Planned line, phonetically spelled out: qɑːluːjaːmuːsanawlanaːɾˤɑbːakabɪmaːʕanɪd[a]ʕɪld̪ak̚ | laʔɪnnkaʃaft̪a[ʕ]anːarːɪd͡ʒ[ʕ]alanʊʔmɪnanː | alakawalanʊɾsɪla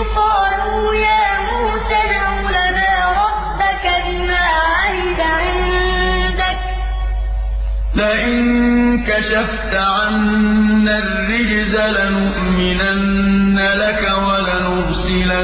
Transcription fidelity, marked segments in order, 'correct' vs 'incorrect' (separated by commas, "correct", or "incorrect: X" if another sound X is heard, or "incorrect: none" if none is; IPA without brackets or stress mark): correct, correct, incorrect: z